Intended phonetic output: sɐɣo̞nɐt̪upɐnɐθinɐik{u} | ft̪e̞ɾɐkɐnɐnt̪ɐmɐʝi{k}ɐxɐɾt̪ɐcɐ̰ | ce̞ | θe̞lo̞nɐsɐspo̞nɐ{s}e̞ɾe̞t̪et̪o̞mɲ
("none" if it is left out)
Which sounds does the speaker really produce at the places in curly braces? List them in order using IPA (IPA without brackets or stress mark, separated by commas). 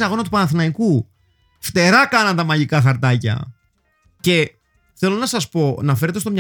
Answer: u, k, f